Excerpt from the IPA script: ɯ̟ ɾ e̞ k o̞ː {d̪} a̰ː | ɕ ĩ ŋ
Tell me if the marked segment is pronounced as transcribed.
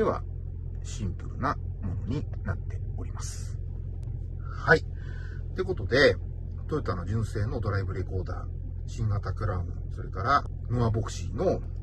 yes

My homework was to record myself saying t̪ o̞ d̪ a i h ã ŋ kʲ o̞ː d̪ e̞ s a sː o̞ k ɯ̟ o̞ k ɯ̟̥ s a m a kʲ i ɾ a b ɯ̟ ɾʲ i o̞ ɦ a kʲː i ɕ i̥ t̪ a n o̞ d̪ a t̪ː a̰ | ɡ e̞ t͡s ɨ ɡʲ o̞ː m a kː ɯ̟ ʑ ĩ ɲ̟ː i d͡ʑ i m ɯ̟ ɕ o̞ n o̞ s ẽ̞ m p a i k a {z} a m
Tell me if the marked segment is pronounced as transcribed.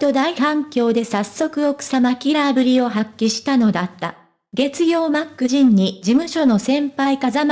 yes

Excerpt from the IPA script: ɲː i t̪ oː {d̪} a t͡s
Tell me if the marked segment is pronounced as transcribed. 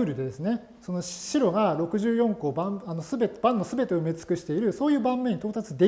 no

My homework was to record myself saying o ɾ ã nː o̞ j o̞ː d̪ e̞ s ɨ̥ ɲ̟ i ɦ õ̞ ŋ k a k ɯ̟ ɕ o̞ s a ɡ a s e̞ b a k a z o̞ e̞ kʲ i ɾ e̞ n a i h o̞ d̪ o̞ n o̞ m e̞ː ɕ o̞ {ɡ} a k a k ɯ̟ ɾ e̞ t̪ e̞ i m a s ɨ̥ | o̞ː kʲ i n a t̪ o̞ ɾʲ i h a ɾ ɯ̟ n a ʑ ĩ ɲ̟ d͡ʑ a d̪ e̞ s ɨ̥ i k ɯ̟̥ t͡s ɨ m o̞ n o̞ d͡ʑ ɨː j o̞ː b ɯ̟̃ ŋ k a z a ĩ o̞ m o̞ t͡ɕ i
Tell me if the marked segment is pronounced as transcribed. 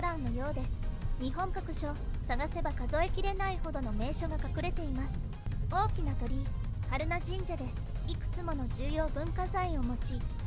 yes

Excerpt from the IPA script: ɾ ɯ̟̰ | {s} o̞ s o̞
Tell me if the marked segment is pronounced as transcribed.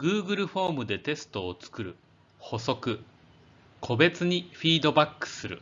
no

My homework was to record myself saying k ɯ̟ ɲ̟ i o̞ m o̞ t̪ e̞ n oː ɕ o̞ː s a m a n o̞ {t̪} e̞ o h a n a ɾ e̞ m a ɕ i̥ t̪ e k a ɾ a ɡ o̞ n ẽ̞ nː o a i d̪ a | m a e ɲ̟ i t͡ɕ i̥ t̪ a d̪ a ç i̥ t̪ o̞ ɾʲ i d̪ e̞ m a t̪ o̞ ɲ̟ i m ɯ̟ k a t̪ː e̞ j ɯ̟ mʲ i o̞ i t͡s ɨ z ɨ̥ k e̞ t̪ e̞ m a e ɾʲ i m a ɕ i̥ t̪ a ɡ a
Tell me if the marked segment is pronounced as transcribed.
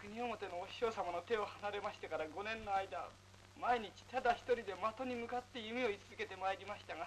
yes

